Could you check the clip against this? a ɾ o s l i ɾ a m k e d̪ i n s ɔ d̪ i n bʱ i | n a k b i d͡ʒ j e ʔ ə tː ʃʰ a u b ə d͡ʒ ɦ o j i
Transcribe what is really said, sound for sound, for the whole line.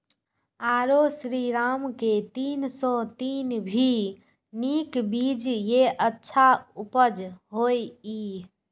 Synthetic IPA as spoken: a ɾ o s ɾ i ɾ a m k e t̪ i n s ɔ t̪ i n bʱ i | n i k b i d͡ʒ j e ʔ ə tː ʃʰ a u p ə d͡ʒ ɦ o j i